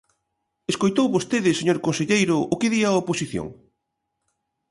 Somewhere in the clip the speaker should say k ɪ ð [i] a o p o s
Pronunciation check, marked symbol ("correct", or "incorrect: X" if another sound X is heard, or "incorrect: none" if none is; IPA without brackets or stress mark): correct